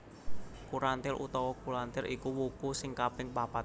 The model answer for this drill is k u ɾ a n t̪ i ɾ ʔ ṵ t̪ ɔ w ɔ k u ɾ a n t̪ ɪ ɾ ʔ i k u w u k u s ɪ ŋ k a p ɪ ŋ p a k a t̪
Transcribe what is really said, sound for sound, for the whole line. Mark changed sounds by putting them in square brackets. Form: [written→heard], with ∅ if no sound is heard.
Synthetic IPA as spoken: k u ɾ a n t̪ [i→ɪ] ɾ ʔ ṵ t̪ ɔ w ɔ k u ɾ a n t̪ ɪ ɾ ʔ i k u w u k u s ɪ ŋ k a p ɪ ŋ p a [k→p] a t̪